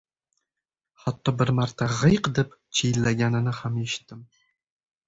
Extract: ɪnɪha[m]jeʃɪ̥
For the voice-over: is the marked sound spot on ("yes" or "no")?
yes